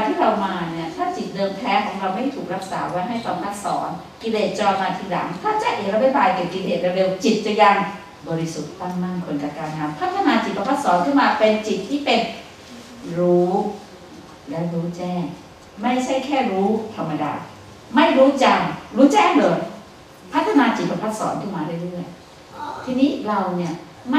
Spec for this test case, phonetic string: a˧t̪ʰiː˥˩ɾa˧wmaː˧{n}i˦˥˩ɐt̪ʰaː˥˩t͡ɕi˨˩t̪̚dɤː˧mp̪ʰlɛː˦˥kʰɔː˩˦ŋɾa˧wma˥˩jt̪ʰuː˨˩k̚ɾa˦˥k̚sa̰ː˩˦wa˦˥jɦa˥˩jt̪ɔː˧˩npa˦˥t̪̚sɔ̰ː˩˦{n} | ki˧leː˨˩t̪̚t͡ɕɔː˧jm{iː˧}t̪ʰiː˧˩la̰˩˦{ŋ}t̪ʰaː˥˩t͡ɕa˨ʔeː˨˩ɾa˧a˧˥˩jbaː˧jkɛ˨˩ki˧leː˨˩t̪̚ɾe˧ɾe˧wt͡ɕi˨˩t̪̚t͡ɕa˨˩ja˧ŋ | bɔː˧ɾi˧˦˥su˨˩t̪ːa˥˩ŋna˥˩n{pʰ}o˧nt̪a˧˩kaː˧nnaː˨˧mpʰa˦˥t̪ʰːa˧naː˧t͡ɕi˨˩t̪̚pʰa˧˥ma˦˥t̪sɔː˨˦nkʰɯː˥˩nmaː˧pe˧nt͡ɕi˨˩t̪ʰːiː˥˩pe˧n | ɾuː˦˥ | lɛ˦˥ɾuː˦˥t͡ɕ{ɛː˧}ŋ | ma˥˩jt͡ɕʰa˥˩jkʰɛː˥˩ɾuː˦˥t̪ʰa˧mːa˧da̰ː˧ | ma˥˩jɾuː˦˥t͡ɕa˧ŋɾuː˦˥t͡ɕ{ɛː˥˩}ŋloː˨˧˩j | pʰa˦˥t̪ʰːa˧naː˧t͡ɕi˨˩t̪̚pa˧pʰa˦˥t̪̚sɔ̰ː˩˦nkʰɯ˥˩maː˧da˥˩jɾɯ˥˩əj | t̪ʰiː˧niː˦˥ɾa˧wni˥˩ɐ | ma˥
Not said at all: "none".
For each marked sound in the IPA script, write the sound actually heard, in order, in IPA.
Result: n, n, aː˧, ŋ, kʰ, ɛː˥˩, ɛː˥˩

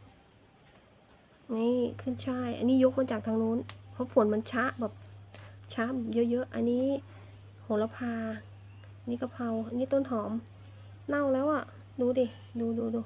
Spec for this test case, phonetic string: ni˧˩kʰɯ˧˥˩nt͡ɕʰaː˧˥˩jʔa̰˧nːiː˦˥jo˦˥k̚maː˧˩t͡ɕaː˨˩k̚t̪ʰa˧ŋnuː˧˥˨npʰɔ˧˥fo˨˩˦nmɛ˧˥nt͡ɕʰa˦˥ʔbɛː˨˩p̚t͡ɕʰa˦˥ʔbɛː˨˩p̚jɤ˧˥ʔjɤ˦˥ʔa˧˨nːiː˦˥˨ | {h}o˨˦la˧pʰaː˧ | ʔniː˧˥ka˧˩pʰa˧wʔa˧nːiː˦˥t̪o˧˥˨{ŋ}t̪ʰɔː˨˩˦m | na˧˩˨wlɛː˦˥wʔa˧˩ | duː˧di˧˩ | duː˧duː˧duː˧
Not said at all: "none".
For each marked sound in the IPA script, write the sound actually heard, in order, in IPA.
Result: h, n

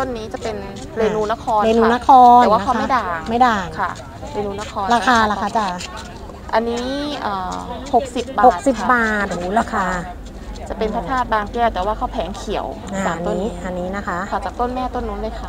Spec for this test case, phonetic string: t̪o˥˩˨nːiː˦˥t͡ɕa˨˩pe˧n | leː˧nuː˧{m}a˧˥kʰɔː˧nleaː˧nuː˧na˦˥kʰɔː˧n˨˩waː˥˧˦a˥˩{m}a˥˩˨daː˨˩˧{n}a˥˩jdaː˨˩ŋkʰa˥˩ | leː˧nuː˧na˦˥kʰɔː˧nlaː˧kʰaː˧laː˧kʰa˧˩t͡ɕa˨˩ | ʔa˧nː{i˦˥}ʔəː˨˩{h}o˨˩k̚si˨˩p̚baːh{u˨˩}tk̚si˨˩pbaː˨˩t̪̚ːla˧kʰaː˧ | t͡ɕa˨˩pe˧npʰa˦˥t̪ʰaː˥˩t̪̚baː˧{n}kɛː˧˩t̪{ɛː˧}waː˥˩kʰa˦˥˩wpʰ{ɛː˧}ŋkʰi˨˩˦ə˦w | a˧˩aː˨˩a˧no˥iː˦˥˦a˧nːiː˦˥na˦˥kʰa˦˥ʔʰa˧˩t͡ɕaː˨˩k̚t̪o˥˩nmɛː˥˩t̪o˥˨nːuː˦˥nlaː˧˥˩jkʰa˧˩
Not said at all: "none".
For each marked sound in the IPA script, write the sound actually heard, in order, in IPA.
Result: n, m, m, iː˦˥, h, o˨˩, ŋ, ɛː˨˩, ɛː˩˦

